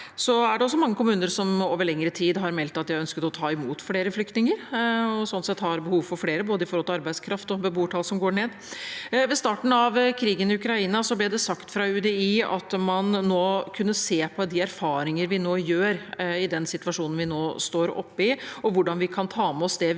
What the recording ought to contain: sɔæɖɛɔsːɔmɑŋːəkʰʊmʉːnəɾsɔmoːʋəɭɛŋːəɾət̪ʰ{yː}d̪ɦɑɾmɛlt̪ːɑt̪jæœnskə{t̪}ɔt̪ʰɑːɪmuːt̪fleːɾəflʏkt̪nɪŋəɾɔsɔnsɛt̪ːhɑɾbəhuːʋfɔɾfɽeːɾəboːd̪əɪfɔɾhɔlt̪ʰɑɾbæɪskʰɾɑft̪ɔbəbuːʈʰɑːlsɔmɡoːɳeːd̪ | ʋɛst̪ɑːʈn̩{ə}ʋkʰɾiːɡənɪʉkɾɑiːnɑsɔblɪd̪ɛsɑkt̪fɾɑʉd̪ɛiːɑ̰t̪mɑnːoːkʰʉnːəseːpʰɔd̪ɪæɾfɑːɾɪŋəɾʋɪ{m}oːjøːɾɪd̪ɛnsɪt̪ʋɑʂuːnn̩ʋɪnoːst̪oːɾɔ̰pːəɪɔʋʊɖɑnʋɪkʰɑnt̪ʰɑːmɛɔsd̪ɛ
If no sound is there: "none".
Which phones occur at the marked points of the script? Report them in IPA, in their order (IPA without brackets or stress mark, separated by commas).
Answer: iː, t̪, ɑ, n